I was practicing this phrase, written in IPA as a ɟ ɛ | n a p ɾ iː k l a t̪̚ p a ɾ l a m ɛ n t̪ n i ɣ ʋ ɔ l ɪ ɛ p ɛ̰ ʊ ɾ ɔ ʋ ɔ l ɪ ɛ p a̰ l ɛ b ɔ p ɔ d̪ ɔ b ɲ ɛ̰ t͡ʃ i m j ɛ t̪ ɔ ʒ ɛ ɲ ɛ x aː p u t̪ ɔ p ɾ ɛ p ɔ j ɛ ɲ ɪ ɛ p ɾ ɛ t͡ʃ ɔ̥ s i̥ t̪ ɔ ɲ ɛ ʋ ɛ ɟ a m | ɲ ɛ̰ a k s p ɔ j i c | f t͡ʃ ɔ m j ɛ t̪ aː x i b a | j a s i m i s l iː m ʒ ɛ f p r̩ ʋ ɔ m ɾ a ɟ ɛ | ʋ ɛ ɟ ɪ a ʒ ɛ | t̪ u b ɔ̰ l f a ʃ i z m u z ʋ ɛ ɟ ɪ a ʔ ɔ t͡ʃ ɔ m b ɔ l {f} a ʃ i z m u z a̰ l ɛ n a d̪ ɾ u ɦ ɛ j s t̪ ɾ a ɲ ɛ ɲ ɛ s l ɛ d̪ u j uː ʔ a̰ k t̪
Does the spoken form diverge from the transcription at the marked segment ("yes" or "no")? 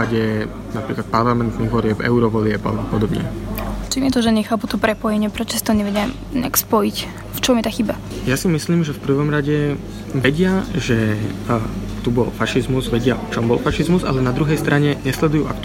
no